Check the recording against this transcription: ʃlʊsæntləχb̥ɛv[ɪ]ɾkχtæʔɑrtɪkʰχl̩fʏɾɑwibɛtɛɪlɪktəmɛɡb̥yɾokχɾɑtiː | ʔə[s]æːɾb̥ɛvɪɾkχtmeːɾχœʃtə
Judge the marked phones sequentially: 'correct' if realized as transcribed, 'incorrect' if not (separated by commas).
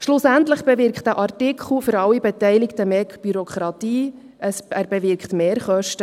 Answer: correct, correct